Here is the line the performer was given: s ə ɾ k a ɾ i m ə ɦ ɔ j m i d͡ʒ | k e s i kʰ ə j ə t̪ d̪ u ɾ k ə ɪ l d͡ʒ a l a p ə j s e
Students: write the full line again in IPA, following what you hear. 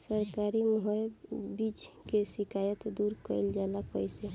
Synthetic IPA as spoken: s ə ɾ k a ɾ i m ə ɦ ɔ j b i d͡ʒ | k e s i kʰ a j ə t̪ d̪ u ɾ k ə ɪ l d͡ʒ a l a p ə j s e